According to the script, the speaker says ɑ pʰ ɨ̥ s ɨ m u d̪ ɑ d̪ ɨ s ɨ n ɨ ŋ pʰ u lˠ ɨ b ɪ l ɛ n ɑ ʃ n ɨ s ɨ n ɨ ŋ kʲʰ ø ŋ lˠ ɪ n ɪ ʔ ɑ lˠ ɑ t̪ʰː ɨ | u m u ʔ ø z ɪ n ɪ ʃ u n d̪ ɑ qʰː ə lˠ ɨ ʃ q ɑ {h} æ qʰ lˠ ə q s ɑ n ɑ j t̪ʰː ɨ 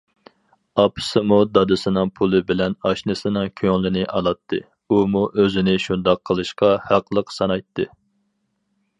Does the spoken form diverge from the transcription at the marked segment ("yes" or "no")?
no